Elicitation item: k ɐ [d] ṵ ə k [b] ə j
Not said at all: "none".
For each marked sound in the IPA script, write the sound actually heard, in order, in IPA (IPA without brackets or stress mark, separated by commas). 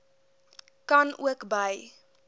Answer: n, b